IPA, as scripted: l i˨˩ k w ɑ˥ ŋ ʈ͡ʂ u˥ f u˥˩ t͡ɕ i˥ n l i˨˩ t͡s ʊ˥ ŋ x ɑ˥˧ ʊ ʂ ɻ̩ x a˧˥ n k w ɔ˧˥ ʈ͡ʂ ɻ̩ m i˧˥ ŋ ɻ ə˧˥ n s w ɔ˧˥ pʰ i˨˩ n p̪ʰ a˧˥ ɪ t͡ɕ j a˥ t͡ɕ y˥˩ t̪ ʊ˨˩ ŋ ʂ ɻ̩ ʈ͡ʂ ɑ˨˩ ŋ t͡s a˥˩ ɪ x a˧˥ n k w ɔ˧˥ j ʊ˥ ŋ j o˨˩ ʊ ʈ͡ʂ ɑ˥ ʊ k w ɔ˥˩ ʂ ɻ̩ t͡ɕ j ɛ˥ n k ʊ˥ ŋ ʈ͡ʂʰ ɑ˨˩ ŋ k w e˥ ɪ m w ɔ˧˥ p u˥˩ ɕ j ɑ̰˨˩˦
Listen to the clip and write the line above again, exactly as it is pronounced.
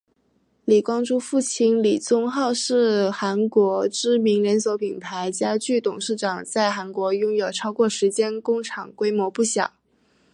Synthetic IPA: l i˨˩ k w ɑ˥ ŋ ʈ͡ʂ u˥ f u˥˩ t͡ɕʰ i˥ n l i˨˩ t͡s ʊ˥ ŋ x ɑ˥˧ ʊ ʂ ɻ̩ x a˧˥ n k w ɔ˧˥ ʈ͡ʂ ɻ̩ m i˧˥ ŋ ɻ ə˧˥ n s w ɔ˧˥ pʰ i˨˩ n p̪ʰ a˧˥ ɪ t͡ɕ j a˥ t͡ɕ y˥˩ t̪ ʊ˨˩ ŋ ʂ ɻ̩ ʈ͡ʂ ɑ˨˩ ŋ t͡s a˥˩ ɪ x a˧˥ n k w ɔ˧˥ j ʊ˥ ŋ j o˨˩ ʊ ʈ͡ʂʰ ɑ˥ ʊ k w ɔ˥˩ ʂ ɻ̩ t͡ɕ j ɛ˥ n k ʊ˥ ŋ ʈ͡ʂʰ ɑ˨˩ ŋ k w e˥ ɪ m w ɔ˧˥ p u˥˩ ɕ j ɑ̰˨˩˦